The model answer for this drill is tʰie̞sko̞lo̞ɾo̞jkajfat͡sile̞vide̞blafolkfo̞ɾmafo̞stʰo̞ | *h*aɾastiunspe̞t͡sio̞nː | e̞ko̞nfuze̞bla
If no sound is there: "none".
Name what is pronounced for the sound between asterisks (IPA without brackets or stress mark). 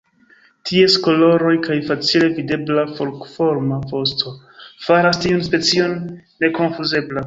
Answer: f